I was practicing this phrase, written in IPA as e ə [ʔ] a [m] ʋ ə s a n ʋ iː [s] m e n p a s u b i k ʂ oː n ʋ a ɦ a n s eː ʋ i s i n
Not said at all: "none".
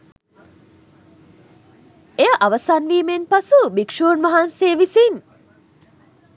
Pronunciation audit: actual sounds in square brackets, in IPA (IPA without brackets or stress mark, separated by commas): ʔ, none, none